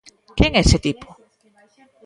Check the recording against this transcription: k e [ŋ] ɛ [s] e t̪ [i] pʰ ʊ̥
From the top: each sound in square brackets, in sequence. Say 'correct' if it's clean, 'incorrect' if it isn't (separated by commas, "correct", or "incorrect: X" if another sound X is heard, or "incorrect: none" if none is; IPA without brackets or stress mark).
correct, correct, correct